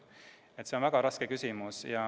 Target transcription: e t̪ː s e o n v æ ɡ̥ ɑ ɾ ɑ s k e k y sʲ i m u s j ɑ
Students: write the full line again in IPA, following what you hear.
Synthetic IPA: e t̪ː s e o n v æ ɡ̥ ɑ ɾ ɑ s k e k y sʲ i m u s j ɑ